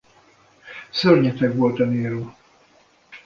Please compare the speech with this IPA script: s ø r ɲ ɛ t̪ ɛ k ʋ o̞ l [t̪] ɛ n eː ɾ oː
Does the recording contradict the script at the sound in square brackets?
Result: no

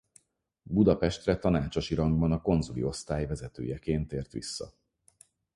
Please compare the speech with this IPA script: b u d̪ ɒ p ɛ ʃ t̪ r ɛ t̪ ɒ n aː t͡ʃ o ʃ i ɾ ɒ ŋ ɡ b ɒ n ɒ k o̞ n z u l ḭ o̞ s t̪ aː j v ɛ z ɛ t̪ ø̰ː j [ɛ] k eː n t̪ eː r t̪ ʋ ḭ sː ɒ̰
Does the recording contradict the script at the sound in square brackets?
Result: no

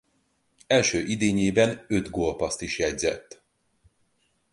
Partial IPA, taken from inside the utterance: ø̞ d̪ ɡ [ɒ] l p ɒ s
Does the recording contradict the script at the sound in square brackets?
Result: yes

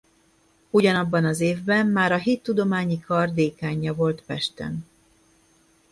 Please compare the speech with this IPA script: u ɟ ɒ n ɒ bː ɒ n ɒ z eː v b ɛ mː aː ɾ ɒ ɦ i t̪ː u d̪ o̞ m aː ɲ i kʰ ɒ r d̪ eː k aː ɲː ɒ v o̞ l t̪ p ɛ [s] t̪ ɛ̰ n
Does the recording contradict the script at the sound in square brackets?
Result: yes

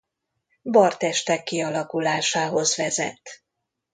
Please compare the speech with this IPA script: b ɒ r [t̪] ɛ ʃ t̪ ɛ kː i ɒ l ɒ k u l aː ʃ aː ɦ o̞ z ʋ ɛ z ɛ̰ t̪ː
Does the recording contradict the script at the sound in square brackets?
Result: no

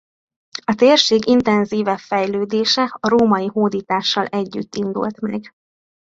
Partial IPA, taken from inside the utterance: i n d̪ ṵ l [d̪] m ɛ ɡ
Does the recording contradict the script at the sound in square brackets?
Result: yes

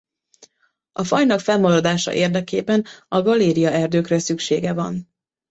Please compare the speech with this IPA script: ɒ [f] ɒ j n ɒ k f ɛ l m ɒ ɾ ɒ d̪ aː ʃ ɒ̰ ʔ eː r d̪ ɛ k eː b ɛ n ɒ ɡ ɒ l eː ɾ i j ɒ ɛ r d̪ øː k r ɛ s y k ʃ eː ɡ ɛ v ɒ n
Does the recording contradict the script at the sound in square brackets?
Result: no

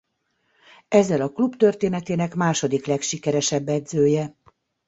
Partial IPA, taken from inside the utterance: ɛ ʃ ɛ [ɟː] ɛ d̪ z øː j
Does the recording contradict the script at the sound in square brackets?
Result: yes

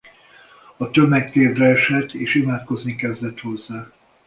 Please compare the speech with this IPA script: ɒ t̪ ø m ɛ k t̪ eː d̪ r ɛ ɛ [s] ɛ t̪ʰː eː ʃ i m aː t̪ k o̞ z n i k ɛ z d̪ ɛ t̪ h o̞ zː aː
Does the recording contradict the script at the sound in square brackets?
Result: yes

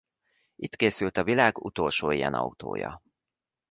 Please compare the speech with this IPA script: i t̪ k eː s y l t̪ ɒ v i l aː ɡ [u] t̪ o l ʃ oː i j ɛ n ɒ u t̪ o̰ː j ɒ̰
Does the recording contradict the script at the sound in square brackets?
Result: no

